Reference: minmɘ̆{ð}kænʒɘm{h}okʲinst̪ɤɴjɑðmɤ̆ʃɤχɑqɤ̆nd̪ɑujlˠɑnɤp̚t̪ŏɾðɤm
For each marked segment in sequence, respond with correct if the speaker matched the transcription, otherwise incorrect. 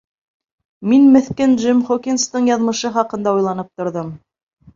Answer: incorrect, incorrect

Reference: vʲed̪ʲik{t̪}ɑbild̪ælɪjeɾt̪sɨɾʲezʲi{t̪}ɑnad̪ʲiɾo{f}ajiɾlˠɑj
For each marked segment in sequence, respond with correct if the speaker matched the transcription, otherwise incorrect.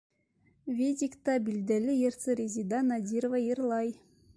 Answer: correct, incorrect, incorrect

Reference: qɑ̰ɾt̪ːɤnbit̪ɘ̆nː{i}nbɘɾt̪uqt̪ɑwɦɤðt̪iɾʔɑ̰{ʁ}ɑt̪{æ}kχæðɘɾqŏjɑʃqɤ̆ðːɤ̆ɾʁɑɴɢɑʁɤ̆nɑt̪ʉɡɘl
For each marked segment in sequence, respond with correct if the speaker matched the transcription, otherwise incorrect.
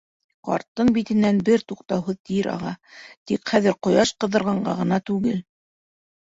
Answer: incorrect, correct, incorrect

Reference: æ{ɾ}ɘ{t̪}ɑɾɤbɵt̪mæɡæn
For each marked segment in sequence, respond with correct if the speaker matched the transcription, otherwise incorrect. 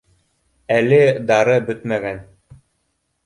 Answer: incorrect, incorrect

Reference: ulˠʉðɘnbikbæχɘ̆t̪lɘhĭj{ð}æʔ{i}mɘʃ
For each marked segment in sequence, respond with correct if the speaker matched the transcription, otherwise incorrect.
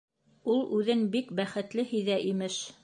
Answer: correct, correct

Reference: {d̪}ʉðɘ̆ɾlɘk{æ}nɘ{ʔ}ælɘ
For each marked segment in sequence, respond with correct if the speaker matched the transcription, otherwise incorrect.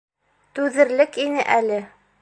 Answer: incorrect, incorrect, correct

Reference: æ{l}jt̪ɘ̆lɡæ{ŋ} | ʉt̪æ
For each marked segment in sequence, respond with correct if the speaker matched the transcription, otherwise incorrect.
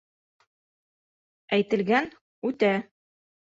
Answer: incorrect, incorrect

